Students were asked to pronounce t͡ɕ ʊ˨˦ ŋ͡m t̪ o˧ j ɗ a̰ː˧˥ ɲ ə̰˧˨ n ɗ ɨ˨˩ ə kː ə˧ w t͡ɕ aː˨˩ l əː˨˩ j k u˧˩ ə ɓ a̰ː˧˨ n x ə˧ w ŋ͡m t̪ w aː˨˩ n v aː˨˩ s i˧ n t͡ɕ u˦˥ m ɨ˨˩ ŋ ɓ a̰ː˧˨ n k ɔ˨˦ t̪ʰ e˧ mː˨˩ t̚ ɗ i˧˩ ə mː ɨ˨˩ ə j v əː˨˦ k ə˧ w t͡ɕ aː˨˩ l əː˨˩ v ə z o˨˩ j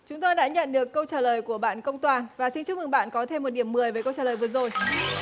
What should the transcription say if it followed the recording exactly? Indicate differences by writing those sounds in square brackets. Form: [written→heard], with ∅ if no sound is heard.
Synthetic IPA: t͡ɕ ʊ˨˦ ŋ͡m t̪ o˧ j ɗ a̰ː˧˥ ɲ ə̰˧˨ n ɗ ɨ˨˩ ə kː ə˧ w t͡ɕ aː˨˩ l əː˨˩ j k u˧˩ ə ɓ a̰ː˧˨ n [x→k] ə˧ w ŋ͡m t̪ w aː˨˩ n v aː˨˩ s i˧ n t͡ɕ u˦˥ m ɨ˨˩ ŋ ɓ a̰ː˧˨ n k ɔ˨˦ t̪ʰ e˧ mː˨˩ t̚ ɗ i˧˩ ə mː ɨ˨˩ ə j v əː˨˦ k ə˧ w t͡ɕ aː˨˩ l əː˨˩ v ə z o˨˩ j